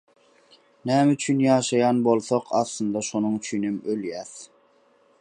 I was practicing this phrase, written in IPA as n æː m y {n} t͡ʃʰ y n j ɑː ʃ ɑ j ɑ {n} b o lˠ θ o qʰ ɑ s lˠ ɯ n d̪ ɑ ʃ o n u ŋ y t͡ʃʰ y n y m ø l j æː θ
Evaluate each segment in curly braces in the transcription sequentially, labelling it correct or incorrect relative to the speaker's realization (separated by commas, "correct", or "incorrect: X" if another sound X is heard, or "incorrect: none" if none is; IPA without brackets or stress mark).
incorrect: none, correct